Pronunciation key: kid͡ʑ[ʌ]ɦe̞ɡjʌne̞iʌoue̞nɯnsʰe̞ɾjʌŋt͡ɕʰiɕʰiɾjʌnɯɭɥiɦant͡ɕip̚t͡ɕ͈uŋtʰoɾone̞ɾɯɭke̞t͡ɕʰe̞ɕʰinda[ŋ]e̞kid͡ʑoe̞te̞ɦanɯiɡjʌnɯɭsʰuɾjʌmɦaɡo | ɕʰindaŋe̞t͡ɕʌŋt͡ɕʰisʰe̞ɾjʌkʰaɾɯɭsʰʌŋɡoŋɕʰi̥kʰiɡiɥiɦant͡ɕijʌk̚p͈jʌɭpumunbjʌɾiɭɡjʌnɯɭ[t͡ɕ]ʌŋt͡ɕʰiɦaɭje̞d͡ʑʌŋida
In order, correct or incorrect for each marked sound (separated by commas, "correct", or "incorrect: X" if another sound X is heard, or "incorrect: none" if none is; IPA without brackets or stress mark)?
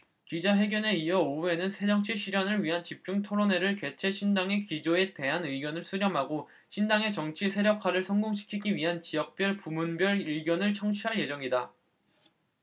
incorrect: a, correct, incorrect: t͡ɕʰ